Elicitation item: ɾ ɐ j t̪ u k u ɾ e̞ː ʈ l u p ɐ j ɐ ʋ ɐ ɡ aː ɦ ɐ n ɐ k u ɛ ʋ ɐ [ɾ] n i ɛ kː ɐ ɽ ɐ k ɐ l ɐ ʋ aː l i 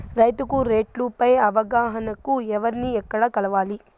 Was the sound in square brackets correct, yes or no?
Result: yes